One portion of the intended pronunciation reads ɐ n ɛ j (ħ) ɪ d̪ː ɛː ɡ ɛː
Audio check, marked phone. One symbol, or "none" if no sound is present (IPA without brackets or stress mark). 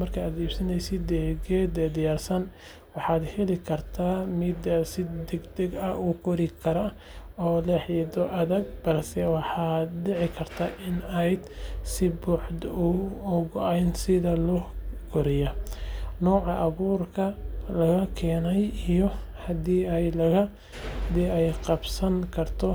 s